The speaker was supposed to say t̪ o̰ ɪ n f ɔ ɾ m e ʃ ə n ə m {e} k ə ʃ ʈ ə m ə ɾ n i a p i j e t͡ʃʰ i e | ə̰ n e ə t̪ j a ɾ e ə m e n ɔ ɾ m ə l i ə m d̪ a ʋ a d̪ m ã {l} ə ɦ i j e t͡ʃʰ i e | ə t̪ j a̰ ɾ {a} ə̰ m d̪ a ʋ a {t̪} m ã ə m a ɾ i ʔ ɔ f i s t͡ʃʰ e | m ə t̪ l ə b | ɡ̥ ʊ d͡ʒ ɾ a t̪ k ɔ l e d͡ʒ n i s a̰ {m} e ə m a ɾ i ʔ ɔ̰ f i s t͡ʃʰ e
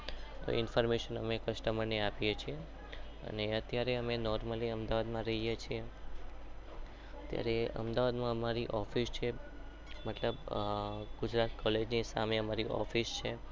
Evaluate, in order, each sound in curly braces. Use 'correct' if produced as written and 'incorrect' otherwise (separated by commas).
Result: correct, incorrect, incorrect, incorrect, correct